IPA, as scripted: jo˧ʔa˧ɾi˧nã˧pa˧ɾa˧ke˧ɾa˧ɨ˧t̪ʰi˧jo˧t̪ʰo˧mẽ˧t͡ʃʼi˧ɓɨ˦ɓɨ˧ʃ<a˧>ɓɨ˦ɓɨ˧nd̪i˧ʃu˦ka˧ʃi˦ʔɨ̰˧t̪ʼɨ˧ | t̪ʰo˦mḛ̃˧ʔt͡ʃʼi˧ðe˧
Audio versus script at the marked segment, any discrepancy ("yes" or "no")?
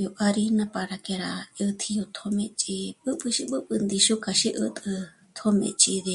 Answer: yes